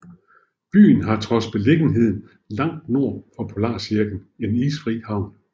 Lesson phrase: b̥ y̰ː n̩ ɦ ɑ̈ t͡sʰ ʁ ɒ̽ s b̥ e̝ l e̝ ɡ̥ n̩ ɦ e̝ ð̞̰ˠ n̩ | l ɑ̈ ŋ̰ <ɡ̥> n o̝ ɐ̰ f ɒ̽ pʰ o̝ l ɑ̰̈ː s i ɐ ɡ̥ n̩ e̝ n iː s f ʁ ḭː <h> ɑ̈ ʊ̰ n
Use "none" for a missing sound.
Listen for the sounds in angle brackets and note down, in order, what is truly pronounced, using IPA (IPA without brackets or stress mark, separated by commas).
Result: d̥, h